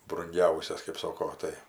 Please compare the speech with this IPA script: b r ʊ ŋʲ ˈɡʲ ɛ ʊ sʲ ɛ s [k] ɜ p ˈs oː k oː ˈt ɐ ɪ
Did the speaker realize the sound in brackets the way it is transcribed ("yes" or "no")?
yes